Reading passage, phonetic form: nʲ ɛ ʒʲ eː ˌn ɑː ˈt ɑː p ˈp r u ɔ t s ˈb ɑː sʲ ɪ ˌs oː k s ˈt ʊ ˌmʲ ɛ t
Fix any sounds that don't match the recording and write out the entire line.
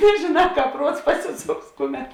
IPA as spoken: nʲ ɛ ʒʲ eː ˌn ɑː ˈk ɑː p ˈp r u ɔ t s ˈp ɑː sʲ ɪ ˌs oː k s ˈk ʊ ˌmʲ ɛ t